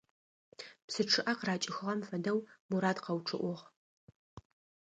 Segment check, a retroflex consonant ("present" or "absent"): present